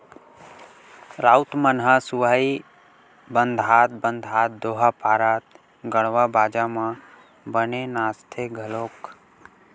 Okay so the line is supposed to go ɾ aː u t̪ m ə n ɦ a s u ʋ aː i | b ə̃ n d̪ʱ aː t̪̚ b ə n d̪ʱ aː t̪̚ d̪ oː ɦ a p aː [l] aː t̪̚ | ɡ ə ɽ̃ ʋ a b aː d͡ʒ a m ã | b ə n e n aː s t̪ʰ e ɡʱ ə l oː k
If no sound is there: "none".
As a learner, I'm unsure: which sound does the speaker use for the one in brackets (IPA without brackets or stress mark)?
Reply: ɾ